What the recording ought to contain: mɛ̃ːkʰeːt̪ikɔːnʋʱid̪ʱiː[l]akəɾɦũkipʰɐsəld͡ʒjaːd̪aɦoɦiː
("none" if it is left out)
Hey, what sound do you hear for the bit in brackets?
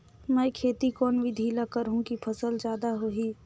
l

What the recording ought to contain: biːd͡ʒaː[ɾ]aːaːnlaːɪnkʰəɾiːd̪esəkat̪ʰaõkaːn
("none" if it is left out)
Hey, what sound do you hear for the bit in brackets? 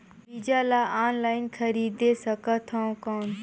l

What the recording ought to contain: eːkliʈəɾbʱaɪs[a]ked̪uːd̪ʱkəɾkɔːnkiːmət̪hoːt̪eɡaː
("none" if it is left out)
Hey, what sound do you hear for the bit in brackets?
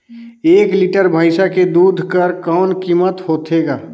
a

